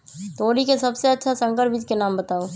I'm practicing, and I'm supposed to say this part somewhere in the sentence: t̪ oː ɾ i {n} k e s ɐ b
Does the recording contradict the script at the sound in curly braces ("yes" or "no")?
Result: yes